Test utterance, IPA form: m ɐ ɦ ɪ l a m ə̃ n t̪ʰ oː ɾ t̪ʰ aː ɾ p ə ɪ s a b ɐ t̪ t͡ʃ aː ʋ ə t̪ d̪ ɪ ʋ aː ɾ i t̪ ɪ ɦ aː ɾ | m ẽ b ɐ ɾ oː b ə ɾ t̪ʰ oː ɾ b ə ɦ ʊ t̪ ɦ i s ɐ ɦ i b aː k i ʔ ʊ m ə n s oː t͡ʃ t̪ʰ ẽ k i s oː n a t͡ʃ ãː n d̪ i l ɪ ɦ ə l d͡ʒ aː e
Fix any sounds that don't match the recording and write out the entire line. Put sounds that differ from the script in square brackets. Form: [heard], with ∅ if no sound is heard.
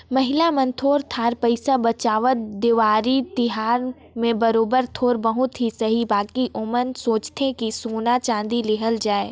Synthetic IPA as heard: m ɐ ɦ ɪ l a m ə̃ n t̪ʰ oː ɾ t̪ʰ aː ɾ p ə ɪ s a b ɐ [∅] t͡ʃ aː ʋ ə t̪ d̪ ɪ ʋ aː ɾ i t̪ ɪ ɦ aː ɾ | m ẽ b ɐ ɾ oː b ə ɾ t̪ʰ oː ɾ b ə ɦ ʊ t̪ ɦ i s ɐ ɦ i b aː k i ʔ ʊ m ə n s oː t͡ʃ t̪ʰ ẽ k i s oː n a t͡ʃ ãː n d̪ i l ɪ ɦ ə l d͡ʒ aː e

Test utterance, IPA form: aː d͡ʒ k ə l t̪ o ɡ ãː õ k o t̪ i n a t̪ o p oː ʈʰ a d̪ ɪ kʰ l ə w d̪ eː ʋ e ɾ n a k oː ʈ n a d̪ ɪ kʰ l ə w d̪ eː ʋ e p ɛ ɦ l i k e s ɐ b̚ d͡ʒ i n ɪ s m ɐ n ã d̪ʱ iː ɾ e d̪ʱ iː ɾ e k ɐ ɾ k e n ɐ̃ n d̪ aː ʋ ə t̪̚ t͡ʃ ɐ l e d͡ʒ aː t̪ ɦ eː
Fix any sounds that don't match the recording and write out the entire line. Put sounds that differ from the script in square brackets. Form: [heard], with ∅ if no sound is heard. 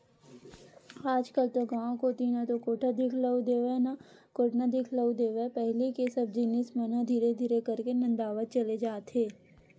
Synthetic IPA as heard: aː d͡ʒ k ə l t̪ o ɡ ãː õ k o t̪ i n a t̪ o [k] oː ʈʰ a d̪ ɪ kʰ l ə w d̪ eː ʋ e [∅] n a k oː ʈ n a d̪ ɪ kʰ l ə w d̪ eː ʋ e p ɛ ɦ l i k e s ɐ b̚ d͡ʒ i n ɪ s m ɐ n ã d̪ʱ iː ɾ e d̪ʱ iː ɾ e k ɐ ɾ k e n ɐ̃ n d̪ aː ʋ ə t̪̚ t͡ʃ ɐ l e d͡ʒ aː t̪ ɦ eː

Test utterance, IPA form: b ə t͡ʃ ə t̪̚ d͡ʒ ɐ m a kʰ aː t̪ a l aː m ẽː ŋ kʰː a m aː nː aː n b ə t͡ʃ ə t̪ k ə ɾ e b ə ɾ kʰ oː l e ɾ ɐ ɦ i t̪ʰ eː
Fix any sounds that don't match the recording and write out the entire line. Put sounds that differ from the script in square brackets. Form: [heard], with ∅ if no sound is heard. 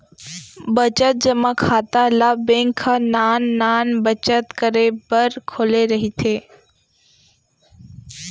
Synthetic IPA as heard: b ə t͡ʃ ə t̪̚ d͡ʒ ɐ m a kʰ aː t̪ a l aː [b] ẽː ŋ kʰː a [n] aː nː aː n b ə t͡ʃ ə t̪ k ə ɾ e b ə ɾ kʰ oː l e ɾ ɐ ɦ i t̪ʰ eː

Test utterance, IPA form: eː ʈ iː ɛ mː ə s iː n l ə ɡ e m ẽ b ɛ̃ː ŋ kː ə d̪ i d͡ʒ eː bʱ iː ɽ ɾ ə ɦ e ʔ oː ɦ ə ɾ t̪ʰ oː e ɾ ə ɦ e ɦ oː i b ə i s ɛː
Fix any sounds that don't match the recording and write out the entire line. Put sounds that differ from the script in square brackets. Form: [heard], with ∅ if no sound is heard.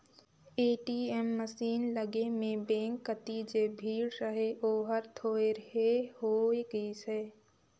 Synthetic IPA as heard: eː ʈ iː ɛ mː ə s iː n l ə ɡ e m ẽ b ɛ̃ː ŋ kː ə [t̪] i d͡ʒ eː bʱ iː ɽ ɾ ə ɦ e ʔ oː ɦ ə ɾ t̪ʰ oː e ɾ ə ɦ e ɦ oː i [ɡ] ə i s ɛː

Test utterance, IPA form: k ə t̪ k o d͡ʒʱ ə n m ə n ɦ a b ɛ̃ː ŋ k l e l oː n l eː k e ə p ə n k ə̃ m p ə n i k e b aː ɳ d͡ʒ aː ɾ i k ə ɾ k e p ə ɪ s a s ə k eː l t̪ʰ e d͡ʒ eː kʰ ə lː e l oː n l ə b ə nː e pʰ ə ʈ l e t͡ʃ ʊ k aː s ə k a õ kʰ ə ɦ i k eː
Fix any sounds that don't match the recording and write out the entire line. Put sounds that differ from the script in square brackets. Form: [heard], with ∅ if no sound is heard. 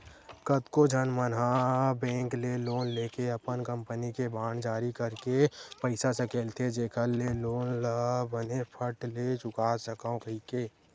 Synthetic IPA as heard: k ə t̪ k o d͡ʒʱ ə n m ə n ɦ a b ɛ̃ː ŋ k l e l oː n l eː k e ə p ə n k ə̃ m p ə n i k e b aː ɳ d͡ʒ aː ɾ i k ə ɾ k e p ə ɪ s a s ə k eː l t̪ʰ e d͡ʒ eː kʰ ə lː e l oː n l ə b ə [n] e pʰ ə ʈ l e t͡ʃ ʊ k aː s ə k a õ [k] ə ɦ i k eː

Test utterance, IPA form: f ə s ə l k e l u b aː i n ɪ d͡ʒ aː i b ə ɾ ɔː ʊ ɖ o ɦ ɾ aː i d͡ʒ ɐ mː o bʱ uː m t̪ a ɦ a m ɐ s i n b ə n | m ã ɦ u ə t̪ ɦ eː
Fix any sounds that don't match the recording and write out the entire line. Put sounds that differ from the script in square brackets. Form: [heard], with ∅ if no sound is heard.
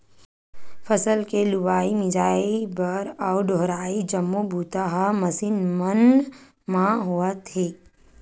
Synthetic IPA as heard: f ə s ə l k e l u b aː i [m] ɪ d͡ʒ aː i b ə ɾ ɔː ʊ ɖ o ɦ ɾ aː i d͡ʒ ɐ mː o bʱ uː [∅] t̪ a ɦ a m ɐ s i n [m] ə n | m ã ɦ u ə t̪ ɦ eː

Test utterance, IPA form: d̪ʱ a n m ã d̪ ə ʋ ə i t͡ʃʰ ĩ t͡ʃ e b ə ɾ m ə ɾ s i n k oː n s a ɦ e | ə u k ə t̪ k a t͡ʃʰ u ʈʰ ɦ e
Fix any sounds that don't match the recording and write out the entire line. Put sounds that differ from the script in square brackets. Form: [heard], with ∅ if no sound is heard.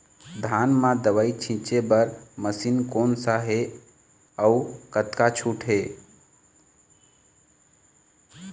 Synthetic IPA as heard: d̪ʱ a n m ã d̪ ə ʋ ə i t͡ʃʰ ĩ t͡ʃ e b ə ɾ m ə [∅] s i n k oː n s a ɦ e | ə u k ə t̪ k a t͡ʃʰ u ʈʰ ɦ e

